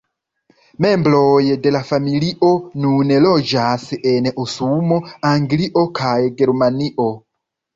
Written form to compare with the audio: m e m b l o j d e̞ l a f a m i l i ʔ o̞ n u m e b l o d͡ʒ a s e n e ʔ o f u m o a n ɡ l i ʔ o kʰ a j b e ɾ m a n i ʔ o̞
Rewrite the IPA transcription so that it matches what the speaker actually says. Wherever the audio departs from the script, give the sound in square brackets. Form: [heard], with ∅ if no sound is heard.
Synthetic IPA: m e m b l o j d e̞ l a f a m i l i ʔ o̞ n u [n] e [∅] l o d͡ʒ a s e n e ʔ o [s] u m o a [ŋ] ɡ l i ʔ o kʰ a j [ɡ] e ɾ m a n i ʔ o̞